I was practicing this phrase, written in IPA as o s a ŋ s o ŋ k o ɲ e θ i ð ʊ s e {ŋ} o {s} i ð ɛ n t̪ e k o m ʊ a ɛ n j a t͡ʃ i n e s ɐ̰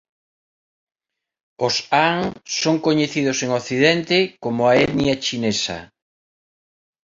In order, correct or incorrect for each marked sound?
correct, incorrect

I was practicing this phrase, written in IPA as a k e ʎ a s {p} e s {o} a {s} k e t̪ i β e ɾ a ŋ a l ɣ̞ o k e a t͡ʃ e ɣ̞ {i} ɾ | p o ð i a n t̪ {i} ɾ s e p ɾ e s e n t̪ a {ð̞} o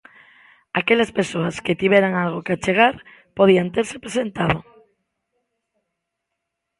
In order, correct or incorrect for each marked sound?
correct, correct, correct, incorrect, incorrect, correct

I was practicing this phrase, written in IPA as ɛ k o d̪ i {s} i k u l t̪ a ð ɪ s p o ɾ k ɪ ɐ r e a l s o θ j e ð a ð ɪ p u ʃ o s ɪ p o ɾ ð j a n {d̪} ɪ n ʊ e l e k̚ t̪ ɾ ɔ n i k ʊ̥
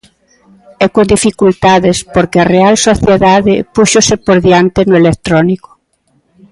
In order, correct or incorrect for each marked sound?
incorrect, incorrect

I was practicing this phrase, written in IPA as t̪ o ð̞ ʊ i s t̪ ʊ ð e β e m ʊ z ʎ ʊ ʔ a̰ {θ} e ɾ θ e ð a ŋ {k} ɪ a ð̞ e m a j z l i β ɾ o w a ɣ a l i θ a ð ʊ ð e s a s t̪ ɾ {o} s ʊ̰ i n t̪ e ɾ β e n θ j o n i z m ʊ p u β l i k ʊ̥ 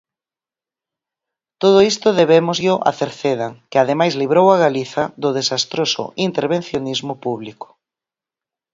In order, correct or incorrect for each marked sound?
correct, correct, correct

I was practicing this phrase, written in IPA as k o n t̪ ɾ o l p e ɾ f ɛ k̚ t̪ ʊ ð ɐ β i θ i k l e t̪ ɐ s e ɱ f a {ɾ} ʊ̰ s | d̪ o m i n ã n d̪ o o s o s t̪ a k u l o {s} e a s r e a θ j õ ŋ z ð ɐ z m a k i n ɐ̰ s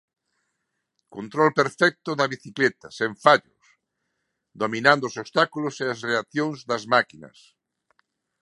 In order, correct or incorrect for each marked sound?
incorrect, correct

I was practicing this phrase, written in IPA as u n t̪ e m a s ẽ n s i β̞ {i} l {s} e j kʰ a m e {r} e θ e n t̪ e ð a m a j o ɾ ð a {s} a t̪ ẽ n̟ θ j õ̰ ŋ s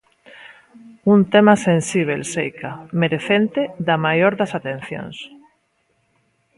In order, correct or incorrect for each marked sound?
incorrect, correct, incorrect, correct

